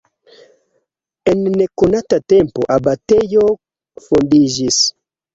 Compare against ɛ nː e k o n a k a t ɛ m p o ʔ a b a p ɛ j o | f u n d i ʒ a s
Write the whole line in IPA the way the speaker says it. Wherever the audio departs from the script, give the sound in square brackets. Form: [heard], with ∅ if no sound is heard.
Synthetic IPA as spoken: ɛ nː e k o n a [t] a t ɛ m p o ʔ a b a [t] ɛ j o | f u n d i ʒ [i] s